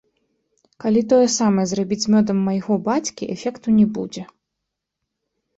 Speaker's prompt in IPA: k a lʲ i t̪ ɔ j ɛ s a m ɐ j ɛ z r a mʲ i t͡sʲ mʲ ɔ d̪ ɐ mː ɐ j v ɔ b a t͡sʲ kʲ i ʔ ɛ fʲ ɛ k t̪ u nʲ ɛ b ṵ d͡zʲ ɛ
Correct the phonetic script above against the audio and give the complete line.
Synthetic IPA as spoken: k a lʲ i t̪ ɔ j ɛ s a m ɐ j ɛ z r a bʲ i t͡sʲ mʲ ɔ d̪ ɐ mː ɐ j ɣ ɔ b a t͡sʲ kʲ i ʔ ɛ fʲ ɛ k t̪ u nʲ ɛ b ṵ d͡zʲ ɛ